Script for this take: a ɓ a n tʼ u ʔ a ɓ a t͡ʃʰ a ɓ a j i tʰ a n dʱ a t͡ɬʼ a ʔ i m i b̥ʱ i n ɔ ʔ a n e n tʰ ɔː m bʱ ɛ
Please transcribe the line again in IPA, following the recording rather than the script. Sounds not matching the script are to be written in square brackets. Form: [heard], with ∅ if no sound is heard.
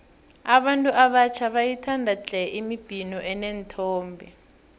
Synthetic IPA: a ɓ a n tʼ u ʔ a ɓ a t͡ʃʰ a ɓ a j i tʰ a n dʱ a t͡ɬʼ [ɛ] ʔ i m i b̥ʱ i n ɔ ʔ [ɛ] n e n tʰ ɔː m bʱ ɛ